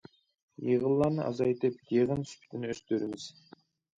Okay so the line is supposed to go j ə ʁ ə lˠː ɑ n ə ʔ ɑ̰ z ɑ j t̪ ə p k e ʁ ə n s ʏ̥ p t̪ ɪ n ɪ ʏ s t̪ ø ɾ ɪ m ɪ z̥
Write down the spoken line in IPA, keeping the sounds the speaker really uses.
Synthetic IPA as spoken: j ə ʁ ə lˠː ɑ n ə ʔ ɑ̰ z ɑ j t̪ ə p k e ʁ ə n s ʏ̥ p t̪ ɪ n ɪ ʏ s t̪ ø ɾ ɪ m ɪ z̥